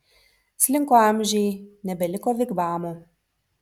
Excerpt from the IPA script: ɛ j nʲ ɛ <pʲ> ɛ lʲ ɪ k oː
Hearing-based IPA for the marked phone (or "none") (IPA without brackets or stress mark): bʲ